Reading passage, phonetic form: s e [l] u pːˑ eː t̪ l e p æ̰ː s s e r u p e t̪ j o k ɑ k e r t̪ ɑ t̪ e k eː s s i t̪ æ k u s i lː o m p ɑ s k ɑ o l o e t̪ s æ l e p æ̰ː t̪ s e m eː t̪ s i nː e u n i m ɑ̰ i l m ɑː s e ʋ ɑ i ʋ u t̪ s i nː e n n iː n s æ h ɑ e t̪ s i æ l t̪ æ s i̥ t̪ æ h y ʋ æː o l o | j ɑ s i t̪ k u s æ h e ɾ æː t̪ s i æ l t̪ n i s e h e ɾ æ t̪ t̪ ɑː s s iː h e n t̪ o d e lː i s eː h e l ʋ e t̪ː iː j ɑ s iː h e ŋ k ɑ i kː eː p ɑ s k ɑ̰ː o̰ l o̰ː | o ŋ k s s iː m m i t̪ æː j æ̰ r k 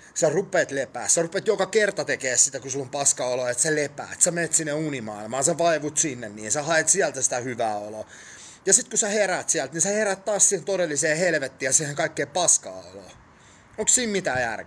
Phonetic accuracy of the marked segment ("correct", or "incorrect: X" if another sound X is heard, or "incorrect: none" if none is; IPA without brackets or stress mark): incorrect: r